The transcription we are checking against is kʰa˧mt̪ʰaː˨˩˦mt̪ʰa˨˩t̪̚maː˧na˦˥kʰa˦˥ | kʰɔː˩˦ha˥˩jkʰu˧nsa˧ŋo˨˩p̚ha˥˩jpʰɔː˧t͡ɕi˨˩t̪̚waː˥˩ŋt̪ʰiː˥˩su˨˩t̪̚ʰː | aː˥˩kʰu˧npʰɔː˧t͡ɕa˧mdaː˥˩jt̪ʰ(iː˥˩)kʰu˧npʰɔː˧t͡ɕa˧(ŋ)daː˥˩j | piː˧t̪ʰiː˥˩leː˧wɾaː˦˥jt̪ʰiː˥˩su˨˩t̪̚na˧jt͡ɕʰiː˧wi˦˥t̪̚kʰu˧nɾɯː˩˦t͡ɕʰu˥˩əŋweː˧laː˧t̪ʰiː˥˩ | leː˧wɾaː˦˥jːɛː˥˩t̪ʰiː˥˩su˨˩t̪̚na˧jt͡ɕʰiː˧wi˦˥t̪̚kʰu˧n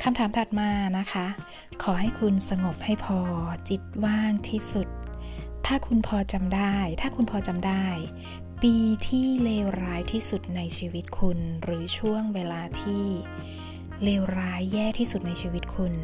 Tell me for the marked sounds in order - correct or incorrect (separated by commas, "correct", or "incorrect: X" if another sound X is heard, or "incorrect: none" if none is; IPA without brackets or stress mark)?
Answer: incorrect: aː˥˩, incorrect: m